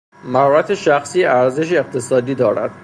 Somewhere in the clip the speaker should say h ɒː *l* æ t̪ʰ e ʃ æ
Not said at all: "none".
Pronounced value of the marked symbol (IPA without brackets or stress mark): ɾ